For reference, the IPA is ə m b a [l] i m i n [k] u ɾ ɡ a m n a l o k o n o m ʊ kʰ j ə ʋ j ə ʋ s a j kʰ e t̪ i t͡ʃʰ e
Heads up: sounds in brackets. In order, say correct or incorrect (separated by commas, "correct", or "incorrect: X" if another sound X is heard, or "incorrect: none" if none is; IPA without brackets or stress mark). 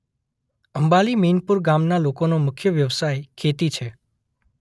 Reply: correct, incorrect: p